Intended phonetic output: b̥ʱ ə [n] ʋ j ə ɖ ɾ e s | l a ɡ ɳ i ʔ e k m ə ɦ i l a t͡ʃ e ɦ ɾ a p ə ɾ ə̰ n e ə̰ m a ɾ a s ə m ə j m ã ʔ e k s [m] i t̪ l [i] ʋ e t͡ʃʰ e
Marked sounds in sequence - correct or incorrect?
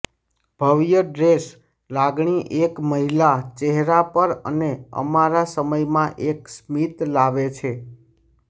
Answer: incorrect: none, correct, incorrect: a

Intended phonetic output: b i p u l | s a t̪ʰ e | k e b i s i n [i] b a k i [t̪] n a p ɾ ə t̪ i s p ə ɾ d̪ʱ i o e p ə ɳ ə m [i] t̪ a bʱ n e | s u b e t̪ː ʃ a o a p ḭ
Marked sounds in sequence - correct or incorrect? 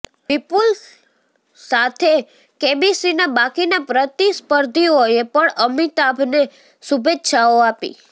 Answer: incorrect: a, incorrect: none, correct

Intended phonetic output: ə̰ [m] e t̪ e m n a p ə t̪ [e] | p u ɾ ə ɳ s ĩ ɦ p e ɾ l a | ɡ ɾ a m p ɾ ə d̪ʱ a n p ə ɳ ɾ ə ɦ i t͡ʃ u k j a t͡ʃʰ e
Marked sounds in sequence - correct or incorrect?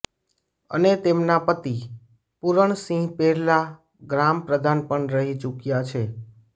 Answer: incorrect: n, incorrect: i

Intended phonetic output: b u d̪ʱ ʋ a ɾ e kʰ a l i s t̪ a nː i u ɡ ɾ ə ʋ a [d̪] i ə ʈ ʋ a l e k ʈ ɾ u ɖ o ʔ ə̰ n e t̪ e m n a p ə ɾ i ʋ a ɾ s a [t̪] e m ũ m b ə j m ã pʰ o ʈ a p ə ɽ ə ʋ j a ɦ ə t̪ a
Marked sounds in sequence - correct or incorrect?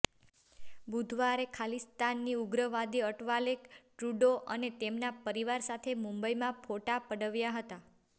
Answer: correct, incorrect: t̪ʰ

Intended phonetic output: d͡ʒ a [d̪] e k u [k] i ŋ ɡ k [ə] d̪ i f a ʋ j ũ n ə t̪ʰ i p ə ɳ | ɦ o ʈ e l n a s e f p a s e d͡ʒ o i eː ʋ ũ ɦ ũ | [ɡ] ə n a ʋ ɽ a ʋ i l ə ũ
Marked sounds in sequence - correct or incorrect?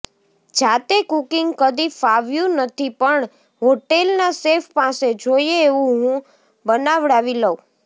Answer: incorrect: t̪, correct, correct, incorrect: b

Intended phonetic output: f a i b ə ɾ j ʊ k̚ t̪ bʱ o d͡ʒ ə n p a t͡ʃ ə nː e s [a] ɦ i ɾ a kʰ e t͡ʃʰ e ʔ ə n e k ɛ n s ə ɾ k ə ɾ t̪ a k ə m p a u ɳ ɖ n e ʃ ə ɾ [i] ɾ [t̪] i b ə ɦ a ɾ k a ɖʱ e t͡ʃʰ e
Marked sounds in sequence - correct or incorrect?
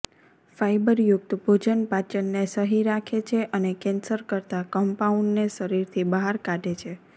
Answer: incorrect: ə, correct, incorrect: t̪ʰ

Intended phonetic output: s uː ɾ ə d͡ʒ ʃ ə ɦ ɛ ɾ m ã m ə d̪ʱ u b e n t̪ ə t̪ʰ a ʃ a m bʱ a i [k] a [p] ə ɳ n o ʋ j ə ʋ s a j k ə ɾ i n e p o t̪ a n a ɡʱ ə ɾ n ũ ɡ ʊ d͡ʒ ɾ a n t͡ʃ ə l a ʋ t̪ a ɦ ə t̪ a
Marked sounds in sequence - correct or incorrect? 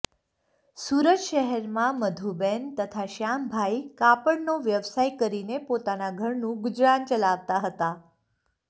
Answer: correct, correct

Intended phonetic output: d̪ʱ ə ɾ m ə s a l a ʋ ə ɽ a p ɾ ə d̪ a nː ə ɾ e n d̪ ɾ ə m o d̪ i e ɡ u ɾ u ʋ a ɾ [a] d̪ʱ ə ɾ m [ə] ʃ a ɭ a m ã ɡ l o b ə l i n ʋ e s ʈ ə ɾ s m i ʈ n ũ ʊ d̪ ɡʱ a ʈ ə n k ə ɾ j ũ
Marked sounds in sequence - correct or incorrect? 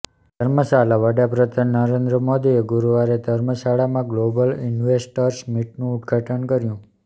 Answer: incorrect: e, correct

